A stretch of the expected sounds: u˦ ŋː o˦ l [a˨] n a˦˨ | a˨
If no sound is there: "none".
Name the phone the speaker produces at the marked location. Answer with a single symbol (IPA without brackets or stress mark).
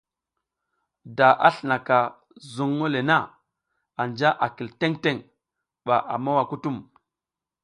e˨